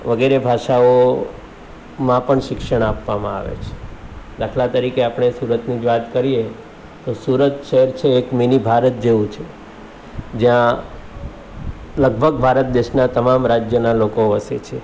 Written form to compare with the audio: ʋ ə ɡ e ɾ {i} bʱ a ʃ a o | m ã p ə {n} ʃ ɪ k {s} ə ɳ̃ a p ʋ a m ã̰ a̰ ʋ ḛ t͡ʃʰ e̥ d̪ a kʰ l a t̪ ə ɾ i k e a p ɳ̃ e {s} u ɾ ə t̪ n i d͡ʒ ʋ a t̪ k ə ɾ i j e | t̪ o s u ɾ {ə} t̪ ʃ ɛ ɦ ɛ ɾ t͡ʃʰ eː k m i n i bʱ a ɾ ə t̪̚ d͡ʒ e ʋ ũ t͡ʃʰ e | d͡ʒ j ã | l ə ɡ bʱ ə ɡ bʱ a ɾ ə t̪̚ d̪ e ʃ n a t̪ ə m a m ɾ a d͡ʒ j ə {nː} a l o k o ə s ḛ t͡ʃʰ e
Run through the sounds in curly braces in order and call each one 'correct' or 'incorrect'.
incorrect: e, incorrect: ɳ, incorrect: ʃ, correct, correct, incorrect: n

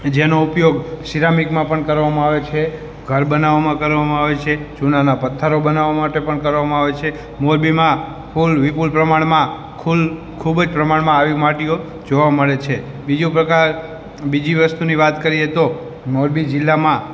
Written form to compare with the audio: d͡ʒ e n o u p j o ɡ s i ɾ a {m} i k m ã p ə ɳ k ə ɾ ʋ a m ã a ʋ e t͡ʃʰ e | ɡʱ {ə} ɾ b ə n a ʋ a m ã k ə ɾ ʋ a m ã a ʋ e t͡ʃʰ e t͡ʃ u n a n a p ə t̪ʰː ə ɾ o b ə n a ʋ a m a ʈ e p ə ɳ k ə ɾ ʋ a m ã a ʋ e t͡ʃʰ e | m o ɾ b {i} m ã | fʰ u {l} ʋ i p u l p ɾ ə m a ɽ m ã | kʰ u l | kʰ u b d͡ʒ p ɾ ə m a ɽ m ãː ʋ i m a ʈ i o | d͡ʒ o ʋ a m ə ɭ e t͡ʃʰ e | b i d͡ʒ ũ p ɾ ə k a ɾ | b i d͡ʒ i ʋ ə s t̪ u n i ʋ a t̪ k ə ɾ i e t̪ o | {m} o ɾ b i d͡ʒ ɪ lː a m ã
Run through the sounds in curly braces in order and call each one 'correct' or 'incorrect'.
correct, correct, correct, correct, correct

